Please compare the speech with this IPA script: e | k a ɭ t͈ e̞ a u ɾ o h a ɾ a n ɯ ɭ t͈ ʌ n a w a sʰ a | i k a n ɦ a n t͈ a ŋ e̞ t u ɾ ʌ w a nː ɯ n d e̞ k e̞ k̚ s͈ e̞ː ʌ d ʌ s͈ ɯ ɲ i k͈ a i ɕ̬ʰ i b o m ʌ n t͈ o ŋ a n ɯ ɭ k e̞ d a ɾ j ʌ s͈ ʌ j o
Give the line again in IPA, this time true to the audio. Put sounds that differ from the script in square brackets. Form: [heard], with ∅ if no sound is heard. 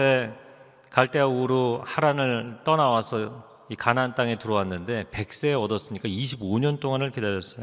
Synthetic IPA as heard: e | k a ɭ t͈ e̞ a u ɾ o h a ɾ a n ɯ ɭ t͈ ʌ n a w a sʰ [ʌ] | i k a n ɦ a n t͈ a ŋ e̞ t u ɾ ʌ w a nː ɯ n d e̞ [p] e̞ k̚ s͈ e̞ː ʌ d ʌ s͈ ɯ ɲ i k͈ a i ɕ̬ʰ i b o [ɲ] ʌ n t͈ o ŋ a n ɯ ɭ k e̞ d a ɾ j ʌ s͈ ʌ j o